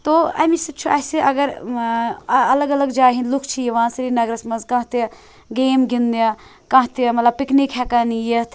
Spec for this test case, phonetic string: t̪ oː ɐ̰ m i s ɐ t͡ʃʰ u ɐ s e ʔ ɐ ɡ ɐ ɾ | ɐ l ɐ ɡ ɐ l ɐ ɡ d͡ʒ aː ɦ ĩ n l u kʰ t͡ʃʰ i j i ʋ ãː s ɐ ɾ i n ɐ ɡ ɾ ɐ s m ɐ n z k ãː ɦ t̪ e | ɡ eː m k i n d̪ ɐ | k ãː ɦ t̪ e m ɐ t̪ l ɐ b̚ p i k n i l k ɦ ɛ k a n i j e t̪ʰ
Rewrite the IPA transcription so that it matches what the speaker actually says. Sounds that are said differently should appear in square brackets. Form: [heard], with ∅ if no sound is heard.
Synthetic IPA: t̪ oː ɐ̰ m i s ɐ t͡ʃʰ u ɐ s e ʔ ɐ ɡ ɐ ɾ | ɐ l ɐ ɡ ɐ l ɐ ɡ d͡ʒ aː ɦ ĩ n l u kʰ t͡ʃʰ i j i ʋ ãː s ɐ ɾ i n ɐ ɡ ɾ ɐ s m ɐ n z k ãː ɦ t̪ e | ɡ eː m [ɡ] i n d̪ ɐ | k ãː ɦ t̪ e m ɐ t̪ l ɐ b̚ p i k n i [∅] k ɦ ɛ k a n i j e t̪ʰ